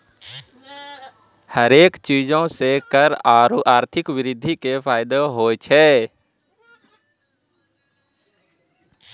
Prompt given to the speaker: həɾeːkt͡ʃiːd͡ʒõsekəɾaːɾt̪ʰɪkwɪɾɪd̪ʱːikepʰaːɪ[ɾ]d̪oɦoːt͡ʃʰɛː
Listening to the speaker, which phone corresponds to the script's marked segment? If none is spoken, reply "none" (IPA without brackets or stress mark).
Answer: none